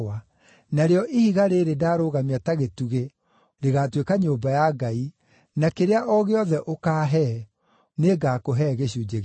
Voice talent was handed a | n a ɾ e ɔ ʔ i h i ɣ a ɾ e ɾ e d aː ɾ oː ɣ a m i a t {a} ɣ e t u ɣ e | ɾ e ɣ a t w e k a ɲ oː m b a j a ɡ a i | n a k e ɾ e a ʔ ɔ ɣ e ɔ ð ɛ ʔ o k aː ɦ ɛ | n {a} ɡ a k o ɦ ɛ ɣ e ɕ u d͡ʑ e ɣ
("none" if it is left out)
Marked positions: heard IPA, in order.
a, e

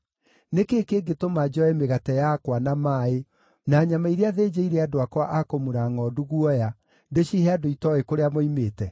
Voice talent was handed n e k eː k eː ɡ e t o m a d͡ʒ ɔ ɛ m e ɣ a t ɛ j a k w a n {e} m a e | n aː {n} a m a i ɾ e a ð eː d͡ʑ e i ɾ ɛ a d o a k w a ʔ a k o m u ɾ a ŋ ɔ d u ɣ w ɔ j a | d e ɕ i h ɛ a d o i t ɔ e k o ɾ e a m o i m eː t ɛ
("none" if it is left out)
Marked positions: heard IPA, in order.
a, ɲ

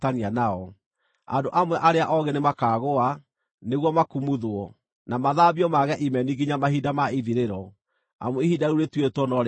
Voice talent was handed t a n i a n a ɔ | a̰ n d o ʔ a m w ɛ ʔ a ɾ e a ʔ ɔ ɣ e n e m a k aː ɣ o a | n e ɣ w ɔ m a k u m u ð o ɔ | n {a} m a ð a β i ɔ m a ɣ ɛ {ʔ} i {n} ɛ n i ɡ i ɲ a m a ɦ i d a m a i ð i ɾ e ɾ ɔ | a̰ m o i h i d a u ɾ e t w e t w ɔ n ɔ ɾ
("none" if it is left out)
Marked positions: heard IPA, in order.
a, ʔ, m

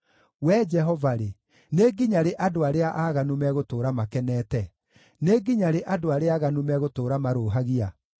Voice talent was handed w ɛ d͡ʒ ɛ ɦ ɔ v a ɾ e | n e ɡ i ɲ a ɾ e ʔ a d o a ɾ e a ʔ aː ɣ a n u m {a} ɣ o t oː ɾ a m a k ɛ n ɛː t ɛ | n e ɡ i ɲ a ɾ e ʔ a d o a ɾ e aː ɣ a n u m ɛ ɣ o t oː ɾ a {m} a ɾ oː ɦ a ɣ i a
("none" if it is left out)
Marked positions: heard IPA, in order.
ɛ, m

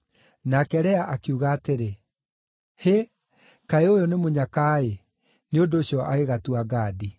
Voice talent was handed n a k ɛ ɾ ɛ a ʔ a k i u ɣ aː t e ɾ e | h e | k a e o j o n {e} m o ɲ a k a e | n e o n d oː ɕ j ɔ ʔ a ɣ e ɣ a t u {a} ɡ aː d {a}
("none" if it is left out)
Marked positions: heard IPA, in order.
e, a, i

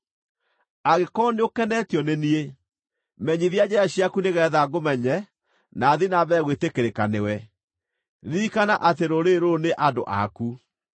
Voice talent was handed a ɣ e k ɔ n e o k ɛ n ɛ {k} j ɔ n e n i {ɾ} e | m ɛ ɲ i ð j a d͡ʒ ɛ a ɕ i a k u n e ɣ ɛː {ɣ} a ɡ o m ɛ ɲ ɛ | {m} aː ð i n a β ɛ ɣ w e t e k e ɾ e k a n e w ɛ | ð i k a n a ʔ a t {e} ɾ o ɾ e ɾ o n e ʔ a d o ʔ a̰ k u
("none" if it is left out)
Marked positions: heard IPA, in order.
t, none, ð, n, e

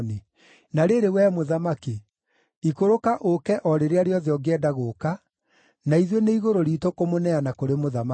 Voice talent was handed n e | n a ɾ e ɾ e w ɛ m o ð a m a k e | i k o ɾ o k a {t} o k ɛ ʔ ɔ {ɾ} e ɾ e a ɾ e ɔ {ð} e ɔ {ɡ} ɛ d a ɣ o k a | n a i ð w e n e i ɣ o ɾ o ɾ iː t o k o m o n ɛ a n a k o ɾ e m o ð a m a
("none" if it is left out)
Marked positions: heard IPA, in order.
ʔ, ɾ, ð, ɡ

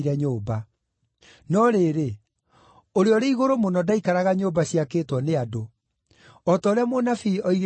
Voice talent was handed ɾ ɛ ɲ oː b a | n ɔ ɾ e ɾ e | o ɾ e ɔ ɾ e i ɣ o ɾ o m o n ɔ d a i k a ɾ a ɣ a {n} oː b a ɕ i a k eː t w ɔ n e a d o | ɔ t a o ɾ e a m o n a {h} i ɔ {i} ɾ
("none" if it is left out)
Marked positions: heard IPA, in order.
ɲ, f, i

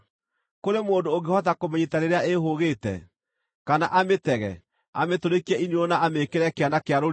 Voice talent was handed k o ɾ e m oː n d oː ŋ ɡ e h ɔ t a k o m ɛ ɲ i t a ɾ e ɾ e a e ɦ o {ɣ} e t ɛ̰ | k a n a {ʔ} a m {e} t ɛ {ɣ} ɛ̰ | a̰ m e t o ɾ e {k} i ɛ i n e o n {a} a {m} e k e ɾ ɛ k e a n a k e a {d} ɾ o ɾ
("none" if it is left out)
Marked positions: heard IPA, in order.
ɣ, ʔ, e, ɣ, k, a, m, none

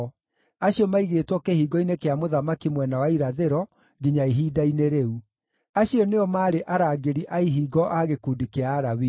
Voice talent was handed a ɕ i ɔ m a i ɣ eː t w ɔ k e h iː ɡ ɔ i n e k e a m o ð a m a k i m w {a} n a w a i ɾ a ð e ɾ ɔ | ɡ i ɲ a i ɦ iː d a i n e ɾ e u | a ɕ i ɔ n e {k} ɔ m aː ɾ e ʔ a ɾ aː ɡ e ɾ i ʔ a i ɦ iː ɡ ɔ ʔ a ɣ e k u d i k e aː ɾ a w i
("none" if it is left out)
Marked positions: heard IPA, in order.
ɛ, none

